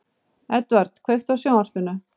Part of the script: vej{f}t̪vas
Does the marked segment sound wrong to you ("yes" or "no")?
yes